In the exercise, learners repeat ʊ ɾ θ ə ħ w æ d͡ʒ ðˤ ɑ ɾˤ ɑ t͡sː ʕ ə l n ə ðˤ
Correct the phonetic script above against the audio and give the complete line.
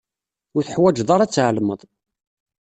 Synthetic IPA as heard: ʊ ɾ θ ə ħ w æ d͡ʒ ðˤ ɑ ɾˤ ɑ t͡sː ʕ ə l m ə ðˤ